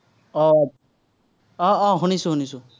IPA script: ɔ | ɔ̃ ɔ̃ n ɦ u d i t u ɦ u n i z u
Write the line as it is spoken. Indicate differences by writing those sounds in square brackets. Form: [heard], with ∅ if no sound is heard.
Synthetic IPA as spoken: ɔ | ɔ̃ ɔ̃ [∅] ɦ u [n] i [s] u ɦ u n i [s] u

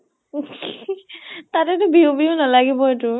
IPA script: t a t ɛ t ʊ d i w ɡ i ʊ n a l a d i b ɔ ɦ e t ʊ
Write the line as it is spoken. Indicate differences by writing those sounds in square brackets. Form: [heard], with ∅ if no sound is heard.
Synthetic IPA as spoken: t a t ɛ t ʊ [b] i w [b] i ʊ n a l a [ɡ] i b ɔ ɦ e t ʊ

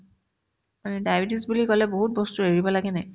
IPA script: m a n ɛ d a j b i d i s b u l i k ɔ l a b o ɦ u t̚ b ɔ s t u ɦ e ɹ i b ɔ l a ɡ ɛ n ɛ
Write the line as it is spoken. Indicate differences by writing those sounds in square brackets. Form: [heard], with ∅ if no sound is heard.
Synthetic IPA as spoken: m a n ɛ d a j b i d i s b u l i k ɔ l [ɛ] b o ɦ u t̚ b ɔ s t u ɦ e ɹ i b ɔ l a ɡ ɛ n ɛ

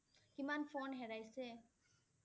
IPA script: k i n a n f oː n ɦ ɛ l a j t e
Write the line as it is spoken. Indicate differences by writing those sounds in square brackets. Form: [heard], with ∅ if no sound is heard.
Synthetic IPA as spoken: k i [m] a n f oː n ɦ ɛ [ɾ] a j [s] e

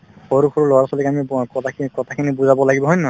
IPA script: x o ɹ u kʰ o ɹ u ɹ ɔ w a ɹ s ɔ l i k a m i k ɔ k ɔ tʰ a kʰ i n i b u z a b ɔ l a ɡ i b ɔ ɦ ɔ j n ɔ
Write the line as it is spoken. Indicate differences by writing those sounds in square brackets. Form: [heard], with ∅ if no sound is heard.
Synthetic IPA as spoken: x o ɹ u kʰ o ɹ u [l] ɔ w a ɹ s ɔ l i k a m i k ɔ k ɔ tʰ a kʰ i n i b u z a b ɔ l a ɡ i b ɔ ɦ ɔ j n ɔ

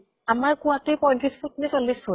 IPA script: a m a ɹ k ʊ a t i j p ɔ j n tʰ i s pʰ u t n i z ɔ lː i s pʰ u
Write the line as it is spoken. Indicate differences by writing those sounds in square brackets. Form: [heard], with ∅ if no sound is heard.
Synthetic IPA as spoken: a m a ɹ k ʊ a t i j p ɔ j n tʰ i s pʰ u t n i [s] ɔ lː i s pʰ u

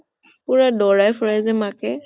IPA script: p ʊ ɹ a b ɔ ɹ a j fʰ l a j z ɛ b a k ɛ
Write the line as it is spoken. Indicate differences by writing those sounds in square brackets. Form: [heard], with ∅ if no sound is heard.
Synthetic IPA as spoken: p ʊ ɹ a [d] ɔ ɹ a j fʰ [ɹ] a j z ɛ [m] a k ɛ

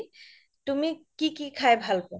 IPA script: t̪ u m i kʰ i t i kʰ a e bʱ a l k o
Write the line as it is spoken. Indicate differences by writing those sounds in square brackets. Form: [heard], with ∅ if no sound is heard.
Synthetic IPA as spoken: t̪ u m i [k] i [k] i kʰ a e bʱ a l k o

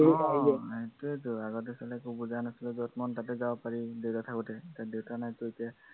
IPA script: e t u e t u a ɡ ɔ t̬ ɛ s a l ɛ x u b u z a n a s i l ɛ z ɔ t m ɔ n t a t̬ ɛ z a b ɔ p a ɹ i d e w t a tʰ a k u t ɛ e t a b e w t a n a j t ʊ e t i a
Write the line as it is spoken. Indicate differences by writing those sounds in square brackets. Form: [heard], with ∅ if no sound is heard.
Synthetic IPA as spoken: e t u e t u a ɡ ɔ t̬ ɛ s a l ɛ [k] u b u z a n a s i l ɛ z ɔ t m ɔ n t a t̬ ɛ z a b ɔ p a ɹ i d e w t a tʰ a k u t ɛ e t a [d] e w t a n a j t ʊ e t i a

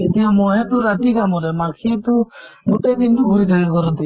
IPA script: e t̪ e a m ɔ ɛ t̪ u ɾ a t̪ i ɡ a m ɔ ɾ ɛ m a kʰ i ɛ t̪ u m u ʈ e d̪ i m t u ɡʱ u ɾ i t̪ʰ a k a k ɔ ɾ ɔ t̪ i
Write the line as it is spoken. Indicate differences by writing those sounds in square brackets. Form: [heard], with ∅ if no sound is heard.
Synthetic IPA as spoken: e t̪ [i] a m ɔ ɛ t̪ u ɾ a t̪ i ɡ a m ɔ ɾ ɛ m a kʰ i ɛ t̪ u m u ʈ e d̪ i [n] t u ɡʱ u ɾ i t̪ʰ a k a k ɔ ɾ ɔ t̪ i

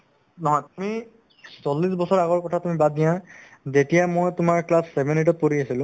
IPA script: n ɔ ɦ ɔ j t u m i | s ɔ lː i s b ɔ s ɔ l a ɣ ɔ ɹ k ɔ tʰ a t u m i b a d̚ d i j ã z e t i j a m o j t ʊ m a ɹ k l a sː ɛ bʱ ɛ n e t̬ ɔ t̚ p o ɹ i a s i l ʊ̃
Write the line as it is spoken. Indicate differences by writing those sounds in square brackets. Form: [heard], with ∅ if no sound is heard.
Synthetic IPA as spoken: n ɔ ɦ ɔ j t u m i | s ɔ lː i s b ɔ s ɔ [ɹ] a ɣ ɔ ɹ k ɔ tʰ a t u m i b a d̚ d i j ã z e t i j a m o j t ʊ m a ɹ k l a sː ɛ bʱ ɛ n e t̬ ɔ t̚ p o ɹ i a s i l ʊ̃

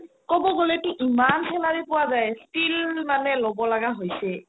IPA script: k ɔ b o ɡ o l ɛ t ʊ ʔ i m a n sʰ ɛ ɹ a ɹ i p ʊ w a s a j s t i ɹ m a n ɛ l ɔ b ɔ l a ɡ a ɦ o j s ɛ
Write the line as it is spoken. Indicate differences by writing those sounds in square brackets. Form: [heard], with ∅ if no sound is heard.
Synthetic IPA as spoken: k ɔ b [ɔ] ɡ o l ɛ t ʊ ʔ i m a n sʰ ɛ [l] a ɹ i p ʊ w a [z] a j s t i [l] m a n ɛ l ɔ b ɔ l a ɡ a ɦ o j s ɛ

